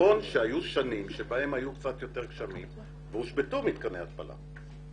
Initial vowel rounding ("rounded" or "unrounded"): rounded